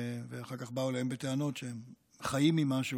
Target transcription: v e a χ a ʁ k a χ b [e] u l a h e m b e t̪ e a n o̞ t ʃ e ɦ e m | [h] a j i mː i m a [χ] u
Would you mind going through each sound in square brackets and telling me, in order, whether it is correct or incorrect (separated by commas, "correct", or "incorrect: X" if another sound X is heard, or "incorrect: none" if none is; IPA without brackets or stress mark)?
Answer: incorrect: a, incorrect: χ, incorrect: ʃ